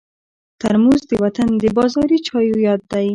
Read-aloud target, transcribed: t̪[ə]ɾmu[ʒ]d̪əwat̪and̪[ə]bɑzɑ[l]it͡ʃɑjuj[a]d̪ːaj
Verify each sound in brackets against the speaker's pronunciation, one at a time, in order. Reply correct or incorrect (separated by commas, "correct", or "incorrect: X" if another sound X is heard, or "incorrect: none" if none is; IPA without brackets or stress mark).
incorrect: a, incorrect: z, correct, incorrect: ɾ, incorrect: ɑ